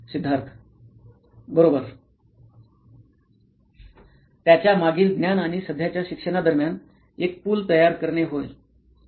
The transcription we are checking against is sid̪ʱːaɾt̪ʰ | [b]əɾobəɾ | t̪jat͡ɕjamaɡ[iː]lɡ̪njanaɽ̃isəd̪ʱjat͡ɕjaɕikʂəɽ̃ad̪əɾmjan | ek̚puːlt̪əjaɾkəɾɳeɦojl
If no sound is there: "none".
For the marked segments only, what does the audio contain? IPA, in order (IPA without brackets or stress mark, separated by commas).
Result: b, iː